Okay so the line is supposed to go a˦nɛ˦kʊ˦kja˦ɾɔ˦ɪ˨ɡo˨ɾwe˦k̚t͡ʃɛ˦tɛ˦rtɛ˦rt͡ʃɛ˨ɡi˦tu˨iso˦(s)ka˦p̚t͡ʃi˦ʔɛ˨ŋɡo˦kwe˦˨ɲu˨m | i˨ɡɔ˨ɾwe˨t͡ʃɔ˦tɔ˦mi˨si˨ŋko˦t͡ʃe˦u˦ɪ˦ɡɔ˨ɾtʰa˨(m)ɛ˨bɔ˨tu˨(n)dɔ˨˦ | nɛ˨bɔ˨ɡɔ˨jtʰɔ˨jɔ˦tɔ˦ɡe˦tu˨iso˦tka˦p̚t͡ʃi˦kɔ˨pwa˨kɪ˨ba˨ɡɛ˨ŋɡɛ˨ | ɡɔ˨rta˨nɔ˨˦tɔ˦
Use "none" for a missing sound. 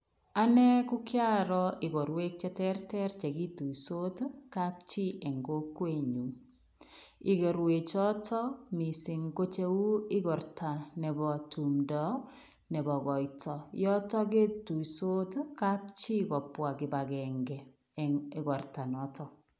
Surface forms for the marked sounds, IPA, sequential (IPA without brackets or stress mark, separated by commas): t, n, m